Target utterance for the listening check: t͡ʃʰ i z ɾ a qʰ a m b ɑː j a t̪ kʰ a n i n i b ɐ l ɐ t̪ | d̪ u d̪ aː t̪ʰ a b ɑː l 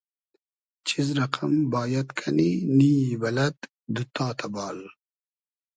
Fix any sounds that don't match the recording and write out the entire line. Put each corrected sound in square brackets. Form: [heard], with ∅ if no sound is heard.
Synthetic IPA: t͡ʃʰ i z ɾ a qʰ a m b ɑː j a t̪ kʰ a n i n i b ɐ l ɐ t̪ | d̪ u [t̪] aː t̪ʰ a b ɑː l